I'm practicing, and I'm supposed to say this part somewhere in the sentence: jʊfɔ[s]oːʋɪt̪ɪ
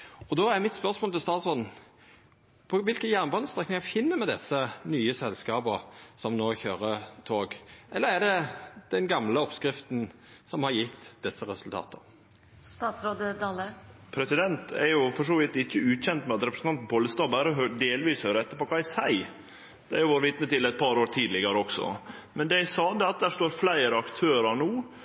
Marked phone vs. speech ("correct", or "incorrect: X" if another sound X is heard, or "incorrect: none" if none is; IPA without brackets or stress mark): incorrect: ʂ